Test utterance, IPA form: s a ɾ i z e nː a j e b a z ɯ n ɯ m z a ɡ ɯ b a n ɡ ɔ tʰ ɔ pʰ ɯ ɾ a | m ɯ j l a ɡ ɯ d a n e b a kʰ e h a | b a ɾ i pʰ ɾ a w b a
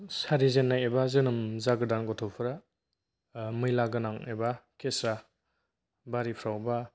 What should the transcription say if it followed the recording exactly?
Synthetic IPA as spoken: s a ɾ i z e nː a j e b a z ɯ n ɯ m z a ɡ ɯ d a n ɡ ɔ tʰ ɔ pʰ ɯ ɾ a | m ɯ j l a ɡ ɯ n a ŋ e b a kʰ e s a | b a ɾ i pʰ ɾ a w b a